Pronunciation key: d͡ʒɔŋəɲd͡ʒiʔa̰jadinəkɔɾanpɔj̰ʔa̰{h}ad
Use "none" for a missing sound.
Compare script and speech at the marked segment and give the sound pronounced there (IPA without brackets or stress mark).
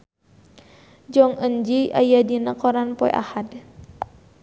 h